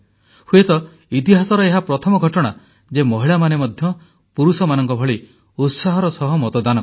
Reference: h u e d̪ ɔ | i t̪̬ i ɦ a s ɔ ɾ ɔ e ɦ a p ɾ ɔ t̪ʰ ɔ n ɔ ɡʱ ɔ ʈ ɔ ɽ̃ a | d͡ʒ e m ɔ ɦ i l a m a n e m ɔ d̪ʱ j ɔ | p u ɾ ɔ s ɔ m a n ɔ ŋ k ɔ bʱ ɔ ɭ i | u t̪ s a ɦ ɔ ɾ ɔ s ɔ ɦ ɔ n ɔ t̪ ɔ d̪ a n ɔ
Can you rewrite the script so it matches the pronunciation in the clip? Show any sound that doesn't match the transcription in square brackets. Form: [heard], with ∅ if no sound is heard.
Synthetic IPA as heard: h u e [t̪] ɔ | i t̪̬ i ɦ a s ɔ ɾ ɔ e ɦ a p ɾ ɔ t̪ʰ ɔ [m] ɔ ɡʱ ɔ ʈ ɔ ɽ̃ a | d͡ʒ e m ɔ ɦ i [ɭ] a m a n e m ɔ d̪ʱ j ɔ | p u ɾ [u] s ɔ m a n ɔ ŋ k ɔ bʱ ɔ ɭ i | u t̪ s a ɦ ɔ ɾ ɔ s ɔ ɦ ɔ [m] ɔ t̪ ɔ d̪ a n ɔ